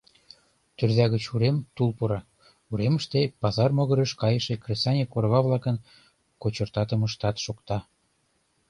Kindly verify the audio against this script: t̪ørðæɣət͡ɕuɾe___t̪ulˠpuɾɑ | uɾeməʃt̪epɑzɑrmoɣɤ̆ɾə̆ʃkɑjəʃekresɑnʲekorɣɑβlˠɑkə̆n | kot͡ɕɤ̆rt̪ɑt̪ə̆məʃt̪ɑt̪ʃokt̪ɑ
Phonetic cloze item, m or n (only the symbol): m